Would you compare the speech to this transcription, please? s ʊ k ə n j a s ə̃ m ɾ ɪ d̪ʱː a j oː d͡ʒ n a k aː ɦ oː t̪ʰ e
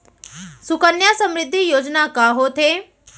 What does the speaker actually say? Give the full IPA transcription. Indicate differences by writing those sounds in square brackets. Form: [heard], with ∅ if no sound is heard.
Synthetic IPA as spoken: s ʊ k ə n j a s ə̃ m ɾ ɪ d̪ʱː [i] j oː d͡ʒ n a k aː ɦ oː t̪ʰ e